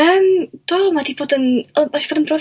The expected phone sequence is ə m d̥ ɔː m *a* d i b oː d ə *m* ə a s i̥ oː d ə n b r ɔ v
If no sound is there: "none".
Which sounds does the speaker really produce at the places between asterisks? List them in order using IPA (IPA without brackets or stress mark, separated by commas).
a, n